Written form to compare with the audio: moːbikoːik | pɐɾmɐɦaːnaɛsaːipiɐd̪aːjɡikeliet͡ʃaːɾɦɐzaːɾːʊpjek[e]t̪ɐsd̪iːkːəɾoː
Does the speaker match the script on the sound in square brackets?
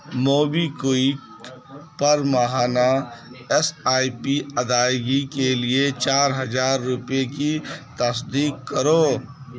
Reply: no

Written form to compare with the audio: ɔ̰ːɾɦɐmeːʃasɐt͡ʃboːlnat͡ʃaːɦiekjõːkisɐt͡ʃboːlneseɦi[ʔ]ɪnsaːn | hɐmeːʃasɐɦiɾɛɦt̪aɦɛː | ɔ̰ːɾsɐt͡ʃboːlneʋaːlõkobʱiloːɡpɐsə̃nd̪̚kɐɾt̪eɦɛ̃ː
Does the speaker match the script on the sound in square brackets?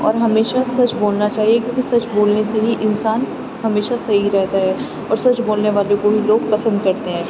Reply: yes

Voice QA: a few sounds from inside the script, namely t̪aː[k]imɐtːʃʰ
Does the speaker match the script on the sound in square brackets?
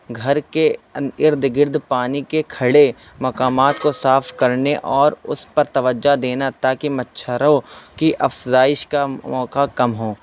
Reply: yes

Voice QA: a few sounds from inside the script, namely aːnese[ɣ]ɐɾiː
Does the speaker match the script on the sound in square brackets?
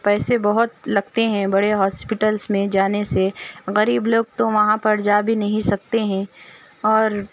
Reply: yes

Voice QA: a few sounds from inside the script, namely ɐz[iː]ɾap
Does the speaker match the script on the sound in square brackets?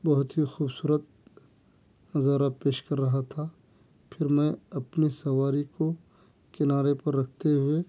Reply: no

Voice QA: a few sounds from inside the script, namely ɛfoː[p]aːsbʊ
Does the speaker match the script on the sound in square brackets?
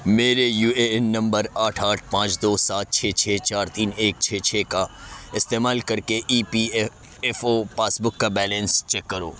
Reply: yes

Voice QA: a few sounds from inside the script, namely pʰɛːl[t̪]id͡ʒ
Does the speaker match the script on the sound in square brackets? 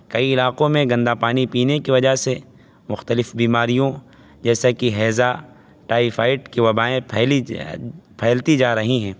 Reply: yes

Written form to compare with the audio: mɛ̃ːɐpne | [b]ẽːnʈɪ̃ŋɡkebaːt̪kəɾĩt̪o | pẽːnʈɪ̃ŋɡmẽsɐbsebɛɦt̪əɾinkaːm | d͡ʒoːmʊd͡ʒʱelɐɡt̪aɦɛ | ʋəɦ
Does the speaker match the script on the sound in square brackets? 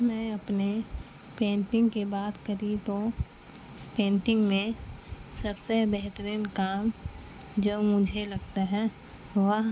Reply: no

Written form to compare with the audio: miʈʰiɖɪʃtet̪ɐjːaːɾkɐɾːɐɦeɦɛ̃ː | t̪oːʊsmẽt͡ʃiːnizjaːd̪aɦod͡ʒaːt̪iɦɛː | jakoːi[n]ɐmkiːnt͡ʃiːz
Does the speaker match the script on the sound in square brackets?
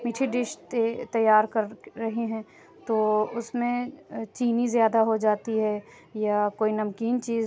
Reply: yes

